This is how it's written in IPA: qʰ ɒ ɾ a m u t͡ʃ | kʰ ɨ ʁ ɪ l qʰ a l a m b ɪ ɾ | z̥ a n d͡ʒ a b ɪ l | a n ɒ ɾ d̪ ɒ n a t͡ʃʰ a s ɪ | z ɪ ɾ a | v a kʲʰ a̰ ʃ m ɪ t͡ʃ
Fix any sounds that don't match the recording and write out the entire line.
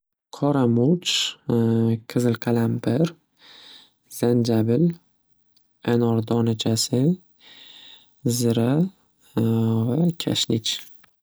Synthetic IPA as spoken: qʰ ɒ ɾ a m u t͡ʃ | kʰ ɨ z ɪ l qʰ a l a m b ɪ ɾ | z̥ a n d͡ʒ a b ɪ l | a n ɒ ɾ d̪ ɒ n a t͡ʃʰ a s ɪ | z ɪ ɾ a | v a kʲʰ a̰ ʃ n ɪ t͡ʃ

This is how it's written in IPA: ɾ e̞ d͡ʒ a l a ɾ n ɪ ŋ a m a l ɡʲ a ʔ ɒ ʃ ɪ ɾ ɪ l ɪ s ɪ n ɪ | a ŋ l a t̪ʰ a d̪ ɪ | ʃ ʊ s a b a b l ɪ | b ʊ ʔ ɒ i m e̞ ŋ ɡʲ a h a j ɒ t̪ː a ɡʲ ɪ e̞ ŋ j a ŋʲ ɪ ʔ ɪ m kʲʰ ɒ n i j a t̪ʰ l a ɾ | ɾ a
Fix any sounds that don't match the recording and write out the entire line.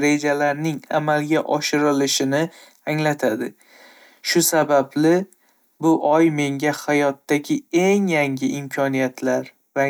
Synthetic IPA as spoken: ɾ e̞ d͡ʒ a l a ɾ n ɪ ŋ a m a l ɡʲ a ʔ ɒ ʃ ɪ ɾ ɪ l ɪ ʃ ɪ n ɪ | a ŋ l a t̪ʰ a d̪ ɪ | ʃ ʊ s a b a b l ɪ | b ʊ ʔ ɒ j m e̞ ŋ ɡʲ a h a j ɒ t̪ː a ɡʲ ɪ e̞ ŋ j a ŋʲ ɪ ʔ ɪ m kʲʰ ɒ n i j a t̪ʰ l a ɾ | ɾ a

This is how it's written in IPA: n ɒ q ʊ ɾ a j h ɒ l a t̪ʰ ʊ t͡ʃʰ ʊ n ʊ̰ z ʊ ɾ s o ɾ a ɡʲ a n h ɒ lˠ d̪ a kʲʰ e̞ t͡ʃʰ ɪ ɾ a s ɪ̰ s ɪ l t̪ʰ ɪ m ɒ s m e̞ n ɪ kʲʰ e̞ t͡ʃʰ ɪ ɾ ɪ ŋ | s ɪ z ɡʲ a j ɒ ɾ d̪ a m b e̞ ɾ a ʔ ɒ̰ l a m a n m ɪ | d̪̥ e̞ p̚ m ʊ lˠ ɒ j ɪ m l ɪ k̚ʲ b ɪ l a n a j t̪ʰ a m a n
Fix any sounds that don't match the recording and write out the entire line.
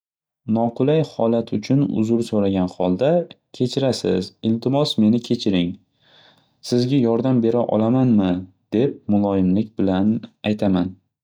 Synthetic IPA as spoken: n ɒ q ʊ l a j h ɒ l a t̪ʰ ʊ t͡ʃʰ ʊ n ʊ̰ z ʊ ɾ s o ɾ a ɡʲ a n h ɒ lˠ d̪ a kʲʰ e̞ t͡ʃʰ ɪ ɾ a s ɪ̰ z ɪ l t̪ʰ ɪ m ɒ s m e̞ n ɪ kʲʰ e̞ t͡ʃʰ ɪ ɾ ɪ ŋ | s ɪ z ɡʲ a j ɒ ɾ d̪ a m b e̞ ɾ a ʔ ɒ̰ l a m a n m ɪ | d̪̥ e̞ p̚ m ʊ lˠ ɒ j ɪ m l ɪ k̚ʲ b ɪ l a n a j t̪ʰ a m a n

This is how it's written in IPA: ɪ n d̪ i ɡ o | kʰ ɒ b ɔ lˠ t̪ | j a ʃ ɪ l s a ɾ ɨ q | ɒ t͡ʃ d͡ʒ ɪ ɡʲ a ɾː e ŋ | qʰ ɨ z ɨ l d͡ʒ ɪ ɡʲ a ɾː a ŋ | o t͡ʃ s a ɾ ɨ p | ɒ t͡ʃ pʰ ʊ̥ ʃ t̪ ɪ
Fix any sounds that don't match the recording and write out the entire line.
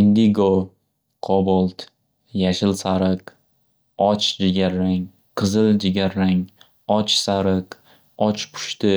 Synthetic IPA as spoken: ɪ n d̪ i ɡ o | qʰ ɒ b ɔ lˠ t̪ | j a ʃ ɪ l s a ɾ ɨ q | ɒ t͡ʃ d͡ʒ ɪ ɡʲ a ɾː a ŋ | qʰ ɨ z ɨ l d͡ʒ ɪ ɡʲ a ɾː a ŋ | ɒ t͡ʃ s a ɾ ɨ q | ɒ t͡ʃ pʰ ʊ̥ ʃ t̪ ɪ

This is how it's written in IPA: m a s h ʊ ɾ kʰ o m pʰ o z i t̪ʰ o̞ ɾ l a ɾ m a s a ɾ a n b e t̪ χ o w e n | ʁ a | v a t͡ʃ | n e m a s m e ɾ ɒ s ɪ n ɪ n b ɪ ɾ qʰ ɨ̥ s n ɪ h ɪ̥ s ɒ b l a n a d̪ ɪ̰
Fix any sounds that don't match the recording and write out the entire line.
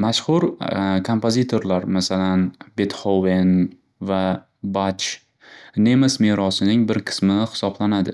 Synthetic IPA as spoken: m a ʃ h ʊ ɾ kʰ o m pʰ o z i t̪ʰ o̞ ɾ l a ɾ m a s a l a n b e t̪ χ o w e n | v a | b a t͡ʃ | n e m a s m e ɾ ɒ s ɪ n ɪ ŋ b ɪ ɾ qʰ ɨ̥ s m ɪ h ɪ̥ s ɒ b l a n a d̪ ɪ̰

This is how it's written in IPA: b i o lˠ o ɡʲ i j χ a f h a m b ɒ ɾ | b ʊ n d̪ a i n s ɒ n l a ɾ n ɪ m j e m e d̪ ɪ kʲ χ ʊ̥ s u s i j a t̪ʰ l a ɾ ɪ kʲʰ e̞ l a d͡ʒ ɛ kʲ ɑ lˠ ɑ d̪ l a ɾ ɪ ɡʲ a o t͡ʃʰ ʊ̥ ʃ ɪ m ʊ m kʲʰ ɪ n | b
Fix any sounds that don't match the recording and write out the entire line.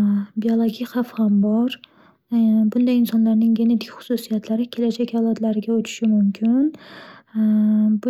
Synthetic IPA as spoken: b i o lˠ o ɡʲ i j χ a f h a m b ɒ ɾ | b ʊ n d̪ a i n s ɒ n l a ɾ n ɪ ŋ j e n e d̪ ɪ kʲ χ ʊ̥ s u s i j a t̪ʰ l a ɾ ɪ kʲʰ e̞ l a d͡ʒ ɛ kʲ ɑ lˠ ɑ d̪ l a ɾ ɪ ɡʲ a o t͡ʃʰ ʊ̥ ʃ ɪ m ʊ m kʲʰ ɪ n | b

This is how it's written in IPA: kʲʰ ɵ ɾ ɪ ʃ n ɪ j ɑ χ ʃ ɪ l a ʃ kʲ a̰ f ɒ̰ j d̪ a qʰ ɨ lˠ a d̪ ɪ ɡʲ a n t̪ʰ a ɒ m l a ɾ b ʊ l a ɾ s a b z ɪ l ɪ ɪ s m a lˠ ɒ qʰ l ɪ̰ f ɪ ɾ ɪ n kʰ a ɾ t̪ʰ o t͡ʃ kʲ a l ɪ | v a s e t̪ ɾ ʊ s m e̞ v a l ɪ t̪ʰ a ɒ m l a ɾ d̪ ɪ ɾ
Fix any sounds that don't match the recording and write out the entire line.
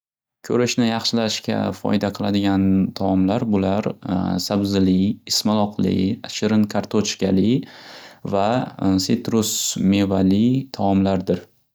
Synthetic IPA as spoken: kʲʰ ɵ ɾ ɪ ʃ n ɪ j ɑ χ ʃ ɪ l a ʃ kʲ a̰ f ɒ̰ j d̪ a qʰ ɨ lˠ a d̪ ɪ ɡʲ a n t̪ʰ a ɒ m l a ɾ b ʊ l a ɾ s a b z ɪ l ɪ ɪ s m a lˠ ɒ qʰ l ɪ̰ ʃ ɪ ɾ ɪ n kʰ a ɾ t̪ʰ o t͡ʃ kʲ a l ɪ | v a s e t̪ ɾ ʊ s m e̞ v a l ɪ t̪ʰ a ɒ m l a ɾ d̪ ɪ ɾ

